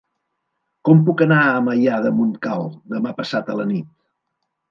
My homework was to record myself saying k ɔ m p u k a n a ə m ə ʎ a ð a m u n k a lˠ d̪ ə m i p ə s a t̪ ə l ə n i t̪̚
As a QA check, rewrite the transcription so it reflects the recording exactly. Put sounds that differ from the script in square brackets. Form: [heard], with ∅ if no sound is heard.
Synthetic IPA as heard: k ɔ m p u k [ə] n a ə m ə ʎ a ð [ə] m u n k a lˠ d̪ ə m [a] p ə s a t̪ ə l ə n i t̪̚